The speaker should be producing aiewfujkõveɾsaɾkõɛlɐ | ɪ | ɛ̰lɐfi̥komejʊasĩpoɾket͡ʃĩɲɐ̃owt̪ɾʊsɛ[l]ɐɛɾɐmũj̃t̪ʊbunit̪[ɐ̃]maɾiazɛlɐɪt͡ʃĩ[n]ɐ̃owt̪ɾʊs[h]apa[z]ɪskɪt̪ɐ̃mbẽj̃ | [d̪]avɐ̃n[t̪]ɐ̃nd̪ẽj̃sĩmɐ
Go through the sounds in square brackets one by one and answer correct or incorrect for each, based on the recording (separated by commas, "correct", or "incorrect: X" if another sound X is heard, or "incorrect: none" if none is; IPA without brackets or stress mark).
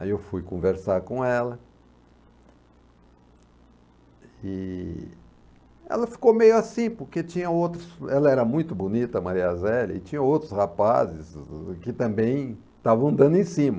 correct, incorrect: ɐ, incorrect: ɲ, correct, correct, incorrect: t̪, incorrect: d̪